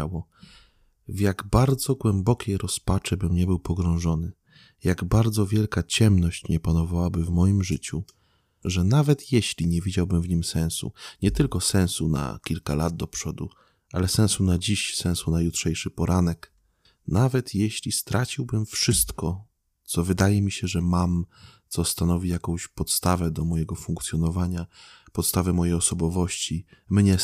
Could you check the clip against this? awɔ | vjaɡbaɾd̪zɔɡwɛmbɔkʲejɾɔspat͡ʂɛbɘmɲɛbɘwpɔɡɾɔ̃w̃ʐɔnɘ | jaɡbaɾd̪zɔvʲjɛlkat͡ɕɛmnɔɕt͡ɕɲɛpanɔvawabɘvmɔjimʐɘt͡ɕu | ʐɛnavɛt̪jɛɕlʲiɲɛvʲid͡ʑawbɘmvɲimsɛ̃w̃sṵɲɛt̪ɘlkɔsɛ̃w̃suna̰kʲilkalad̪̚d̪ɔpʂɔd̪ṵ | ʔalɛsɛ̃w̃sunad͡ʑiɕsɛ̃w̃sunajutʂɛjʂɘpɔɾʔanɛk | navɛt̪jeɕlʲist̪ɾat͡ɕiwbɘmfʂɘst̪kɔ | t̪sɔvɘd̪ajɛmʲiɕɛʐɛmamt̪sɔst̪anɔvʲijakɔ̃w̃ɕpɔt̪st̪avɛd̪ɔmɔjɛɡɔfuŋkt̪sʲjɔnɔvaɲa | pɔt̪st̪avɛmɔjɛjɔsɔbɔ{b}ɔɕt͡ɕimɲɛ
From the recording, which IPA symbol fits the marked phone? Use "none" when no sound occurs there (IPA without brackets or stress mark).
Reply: v